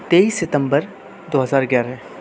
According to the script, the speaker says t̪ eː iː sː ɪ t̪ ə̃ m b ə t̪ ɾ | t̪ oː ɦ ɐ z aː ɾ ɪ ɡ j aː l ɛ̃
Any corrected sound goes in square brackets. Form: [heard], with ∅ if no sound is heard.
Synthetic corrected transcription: t̪ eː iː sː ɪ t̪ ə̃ m b ə [∅] ɾ | [d̪] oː ɦ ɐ z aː ɾ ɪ ɡ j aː [ɾ] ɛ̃

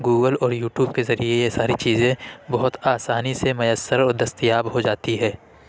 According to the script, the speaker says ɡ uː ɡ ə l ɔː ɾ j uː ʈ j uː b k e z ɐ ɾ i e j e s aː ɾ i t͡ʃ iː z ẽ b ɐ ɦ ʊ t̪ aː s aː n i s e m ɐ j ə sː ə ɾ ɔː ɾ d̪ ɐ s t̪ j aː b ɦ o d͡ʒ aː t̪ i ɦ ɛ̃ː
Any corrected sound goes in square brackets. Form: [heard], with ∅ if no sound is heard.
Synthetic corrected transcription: ɡ uː ɡ ə l ɔː ɾ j uː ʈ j uː b k e z ɐ ɾ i e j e s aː ɾ i t͡ʃ iː z ẽ b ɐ ɦ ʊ t̪ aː s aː n i s e m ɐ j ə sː ə ɾ ɔː ɾ d̪ ɐ s t̪ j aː b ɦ o d͡ʒ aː t̪ i ɦ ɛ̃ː

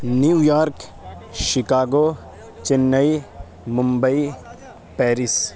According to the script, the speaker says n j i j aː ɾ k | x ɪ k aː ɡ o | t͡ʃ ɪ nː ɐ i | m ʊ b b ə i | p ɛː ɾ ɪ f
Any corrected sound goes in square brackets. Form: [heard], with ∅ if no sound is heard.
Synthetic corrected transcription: n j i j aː ɾ k | [ʃ] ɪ k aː ɡ o | t͡ʃ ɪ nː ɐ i | m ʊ [m] b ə i | p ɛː ɾ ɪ [s]

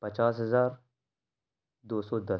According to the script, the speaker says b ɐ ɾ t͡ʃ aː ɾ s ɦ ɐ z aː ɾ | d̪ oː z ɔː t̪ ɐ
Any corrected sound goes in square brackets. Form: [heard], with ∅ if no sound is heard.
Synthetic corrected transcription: [p] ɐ [∅] t͡ʃ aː [∅] s ɦ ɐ z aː ɾ | d̪ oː [s] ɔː [d̪] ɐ

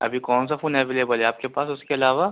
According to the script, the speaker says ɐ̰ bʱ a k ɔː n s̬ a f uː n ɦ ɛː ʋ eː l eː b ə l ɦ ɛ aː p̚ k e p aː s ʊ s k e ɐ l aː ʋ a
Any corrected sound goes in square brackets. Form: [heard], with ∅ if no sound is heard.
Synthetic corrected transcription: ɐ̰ bʱ [i] k ɔː n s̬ a f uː n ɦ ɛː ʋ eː l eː b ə l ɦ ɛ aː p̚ k e p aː s ʊ s k e ɐ l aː ʋ a

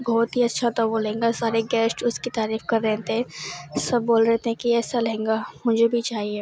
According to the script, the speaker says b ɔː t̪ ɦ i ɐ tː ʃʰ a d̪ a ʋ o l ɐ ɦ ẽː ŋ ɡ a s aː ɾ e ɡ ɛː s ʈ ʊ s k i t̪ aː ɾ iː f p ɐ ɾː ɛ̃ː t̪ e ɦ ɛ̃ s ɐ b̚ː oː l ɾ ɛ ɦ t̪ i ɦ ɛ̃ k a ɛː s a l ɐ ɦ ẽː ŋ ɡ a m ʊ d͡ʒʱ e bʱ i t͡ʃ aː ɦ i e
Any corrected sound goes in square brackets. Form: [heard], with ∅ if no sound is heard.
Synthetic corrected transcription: b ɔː t̪ ɦ i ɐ tː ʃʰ a [t̪] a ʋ o l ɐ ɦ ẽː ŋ ɡ a s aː ɾ e ɡ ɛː s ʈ ʊ s k i t̪ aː ɾ iː f [k] ɐ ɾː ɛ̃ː t̪ e ɦ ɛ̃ s ɐ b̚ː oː l ɾ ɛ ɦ t̪ [e] ɦ ɛ̃ k [i] ɛː s a l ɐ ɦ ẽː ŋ ɡ a m ʊ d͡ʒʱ e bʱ i t͡ʃ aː ɦ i e

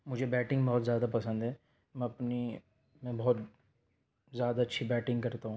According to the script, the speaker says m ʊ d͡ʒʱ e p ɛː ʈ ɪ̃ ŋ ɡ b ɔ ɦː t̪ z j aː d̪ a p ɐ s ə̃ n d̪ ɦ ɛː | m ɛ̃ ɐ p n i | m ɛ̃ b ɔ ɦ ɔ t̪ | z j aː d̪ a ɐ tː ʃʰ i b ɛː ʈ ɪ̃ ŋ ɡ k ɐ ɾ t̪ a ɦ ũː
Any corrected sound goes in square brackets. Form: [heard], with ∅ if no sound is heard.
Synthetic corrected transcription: m ʊ d͡ʒʱ e [b] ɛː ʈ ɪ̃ ŋ ɡ b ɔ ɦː t̪ z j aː d̪ a p ɐ s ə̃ n d̪ ɦ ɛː | m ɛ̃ ɐ p n i | m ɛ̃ b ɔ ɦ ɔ t̪ | z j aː d̪ a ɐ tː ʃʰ i b ɛː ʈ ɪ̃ ŋ ɡ k ɐ ɾ t̪ a ɦ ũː

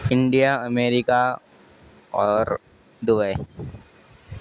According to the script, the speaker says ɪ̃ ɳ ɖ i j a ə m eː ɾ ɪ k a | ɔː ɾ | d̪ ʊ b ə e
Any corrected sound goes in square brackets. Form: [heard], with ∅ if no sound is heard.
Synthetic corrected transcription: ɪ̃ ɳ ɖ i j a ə m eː ɾ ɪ k a | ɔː ɾ | d̪ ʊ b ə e

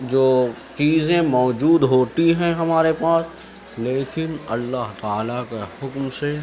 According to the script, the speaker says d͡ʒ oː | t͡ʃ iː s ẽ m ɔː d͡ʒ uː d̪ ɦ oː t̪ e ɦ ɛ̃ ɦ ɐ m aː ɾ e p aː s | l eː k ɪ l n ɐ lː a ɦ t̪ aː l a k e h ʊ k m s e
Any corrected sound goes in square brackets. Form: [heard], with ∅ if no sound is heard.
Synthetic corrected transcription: d͡ʒ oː | t͡ʃ iː [z] ẽ m ɔː d͡ʒ uː d̪ ɦ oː t̪ [i] ɦ ɛ̃ ɦ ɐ m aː ɾ e p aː s | l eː k ɪ [∅] n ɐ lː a ɦ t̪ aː l a k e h ʊ k m s e

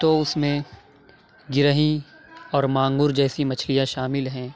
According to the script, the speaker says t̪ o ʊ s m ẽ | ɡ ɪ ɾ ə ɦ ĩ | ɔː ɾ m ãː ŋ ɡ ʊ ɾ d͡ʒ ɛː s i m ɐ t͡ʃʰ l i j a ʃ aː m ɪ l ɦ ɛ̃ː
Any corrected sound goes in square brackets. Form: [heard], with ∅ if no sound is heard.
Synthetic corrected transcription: t̪ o ʊ s m ẽ | ɡ ɪ ɾ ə ɦ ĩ | ɔː ɾ m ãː ŋ ɡ ʊ ɾ d͡ʒ ɛː s i m ɐ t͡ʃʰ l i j a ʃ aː m ɪ l ɦ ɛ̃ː

